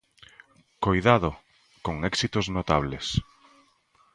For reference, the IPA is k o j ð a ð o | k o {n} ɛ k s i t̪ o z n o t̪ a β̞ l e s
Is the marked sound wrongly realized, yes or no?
yes